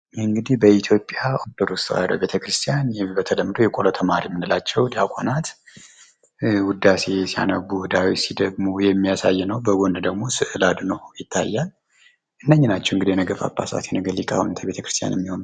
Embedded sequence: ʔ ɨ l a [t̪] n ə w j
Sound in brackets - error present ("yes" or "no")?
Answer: yes